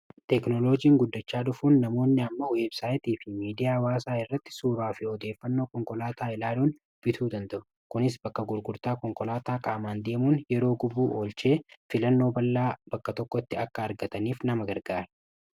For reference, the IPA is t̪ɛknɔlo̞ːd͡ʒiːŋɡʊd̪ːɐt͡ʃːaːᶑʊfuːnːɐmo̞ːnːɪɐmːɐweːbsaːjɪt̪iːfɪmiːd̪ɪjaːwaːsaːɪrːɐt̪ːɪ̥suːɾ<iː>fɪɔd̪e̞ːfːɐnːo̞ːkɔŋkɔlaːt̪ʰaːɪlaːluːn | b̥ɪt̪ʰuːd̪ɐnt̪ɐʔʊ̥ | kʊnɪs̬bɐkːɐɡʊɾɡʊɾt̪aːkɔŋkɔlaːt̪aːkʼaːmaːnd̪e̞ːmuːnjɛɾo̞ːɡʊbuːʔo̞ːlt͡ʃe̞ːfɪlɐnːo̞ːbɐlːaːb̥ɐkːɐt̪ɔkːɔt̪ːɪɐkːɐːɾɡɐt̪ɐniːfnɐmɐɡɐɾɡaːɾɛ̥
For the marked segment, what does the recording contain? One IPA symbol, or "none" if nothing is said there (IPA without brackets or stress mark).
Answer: aː